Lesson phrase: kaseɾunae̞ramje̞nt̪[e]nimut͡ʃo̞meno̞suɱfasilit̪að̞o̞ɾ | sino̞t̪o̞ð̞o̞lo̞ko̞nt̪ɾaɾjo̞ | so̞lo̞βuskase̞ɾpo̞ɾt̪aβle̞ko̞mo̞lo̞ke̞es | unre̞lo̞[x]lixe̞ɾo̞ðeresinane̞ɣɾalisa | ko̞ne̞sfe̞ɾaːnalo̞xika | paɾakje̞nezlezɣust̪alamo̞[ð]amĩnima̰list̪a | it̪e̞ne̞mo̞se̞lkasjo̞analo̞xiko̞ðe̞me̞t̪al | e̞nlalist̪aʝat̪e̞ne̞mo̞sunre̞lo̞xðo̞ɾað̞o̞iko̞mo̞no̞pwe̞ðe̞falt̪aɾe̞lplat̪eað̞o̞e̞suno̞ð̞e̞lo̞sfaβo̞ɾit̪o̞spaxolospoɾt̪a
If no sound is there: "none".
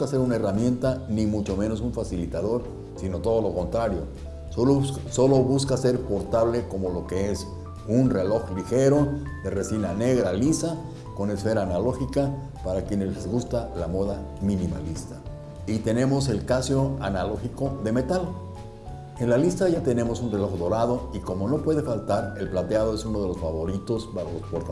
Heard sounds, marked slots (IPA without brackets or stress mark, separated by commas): a, x, ð